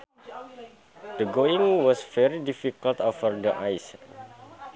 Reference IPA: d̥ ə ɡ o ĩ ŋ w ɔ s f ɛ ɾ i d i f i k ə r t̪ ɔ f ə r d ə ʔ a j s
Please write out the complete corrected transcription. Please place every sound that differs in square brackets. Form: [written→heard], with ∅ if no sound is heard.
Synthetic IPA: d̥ ə ɡ o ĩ ŋ w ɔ s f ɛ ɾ i d i f i k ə [r→l] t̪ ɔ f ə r d ə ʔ a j s